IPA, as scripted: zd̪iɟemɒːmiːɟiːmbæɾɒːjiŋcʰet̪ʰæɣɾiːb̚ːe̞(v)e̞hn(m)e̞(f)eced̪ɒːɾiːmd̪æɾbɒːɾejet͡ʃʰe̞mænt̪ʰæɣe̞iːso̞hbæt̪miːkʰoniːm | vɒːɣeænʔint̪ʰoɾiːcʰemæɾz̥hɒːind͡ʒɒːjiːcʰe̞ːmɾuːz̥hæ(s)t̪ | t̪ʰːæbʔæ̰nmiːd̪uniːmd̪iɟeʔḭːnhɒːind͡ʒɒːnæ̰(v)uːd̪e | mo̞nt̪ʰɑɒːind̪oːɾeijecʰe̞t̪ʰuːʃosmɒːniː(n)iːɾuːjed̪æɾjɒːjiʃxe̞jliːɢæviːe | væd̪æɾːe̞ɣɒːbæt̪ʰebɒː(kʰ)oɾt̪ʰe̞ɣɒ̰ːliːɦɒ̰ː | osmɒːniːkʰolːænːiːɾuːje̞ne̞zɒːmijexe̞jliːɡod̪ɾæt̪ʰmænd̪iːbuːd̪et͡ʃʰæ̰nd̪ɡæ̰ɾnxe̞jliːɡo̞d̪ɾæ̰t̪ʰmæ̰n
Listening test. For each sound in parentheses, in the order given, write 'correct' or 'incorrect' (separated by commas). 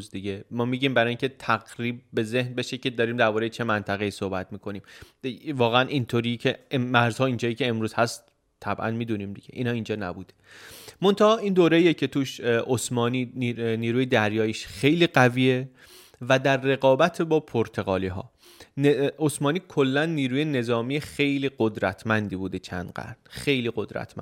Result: incorrect, incorrect, incorrect, correct, incorrect, correct, incorrect